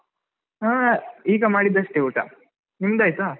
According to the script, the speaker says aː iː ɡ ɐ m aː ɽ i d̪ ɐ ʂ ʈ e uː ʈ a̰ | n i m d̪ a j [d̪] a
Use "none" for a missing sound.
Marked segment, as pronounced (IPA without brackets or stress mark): t̪